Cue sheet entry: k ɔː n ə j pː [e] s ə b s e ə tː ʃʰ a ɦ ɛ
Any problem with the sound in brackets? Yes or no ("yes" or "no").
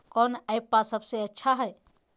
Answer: yes